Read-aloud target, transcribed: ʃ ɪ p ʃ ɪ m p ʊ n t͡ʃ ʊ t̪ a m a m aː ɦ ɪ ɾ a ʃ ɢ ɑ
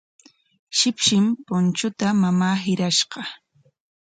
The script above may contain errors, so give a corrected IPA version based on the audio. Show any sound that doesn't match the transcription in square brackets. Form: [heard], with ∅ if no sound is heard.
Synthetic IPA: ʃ ɪ p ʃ ɪ m p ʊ n t͡ʃ ʊ t̪ a m a m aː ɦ ɪ ɾ a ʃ ɢ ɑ